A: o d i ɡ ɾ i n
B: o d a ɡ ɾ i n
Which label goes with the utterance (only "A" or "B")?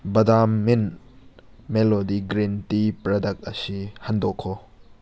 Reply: A